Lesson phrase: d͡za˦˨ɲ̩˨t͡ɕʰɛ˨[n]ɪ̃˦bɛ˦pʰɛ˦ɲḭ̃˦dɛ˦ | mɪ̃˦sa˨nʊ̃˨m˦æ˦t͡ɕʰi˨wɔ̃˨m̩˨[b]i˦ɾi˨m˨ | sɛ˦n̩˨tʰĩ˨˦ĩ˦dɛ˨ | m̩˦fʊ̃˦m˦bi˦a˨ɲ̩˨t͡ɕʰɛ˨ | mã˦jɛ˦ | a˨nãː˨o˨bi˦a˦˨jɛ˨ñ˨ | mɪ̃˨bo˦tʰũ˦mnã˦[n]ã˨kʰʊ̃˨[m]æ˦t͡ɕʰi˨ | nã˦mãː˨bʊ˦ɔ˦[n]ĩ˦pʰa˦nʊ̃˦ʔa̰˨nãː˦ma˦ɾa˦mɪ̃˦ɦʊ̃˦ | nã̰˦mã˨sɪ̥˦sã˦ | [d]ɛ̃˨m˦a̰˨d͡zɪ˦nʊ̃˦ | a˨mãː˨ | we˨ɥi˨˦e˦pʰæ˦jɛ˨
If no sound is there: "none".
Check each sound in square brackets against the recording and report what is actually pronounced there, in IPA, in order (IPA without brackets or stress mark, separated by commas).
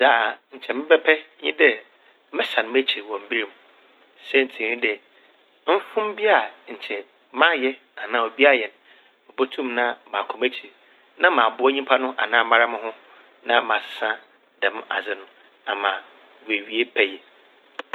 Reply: m, b, m, m, ɲ, d